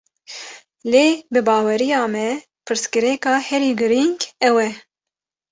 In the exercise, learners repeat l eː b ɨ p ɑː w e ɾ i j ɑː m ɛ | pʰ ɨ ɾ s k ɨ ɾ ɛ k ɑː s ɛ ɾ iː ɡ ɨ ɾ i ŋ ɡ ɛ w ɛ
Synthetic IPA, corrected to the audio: l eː b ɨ b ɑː w ɛ ɾ i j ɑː m ɛ | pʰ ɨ ɾ s k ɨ ɾ ɛ k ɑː h ɛ ɾ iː ɡ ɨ ɾ i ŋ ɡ ɛ w ɛ